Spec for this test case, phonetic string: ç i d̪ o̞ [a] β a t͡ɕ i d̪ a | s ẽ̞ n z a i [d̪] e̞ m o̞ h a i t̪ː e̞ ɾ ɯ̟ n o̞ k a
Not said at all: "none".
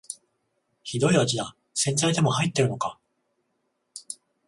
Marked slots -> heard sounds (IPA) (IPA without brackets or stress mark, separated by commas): i, d̪